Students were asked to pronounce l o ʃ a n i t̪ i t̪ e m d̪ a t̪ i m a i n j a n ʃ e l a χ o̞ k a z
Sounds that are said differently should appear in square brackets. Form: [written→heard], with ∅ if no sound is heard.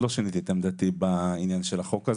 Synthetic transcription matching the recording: l o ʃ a n i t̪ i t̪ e m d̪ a t̪ i [m→b] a i n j a n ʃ e l a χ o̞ k a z